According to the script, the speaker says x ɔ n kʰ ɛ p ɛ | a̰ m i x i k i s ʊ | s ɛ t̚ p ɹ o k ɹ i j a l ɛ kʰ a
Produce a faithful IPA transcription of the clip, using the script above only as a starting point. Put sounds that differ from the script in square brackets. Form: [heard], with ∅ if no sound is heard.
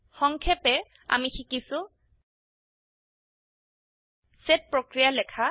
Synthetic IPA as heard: x ɔ [ŋ] kʰ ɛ p ɛ | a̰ m i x i k i s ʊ | s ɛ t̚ p ɹ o k ɹ i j a l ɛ kʰ a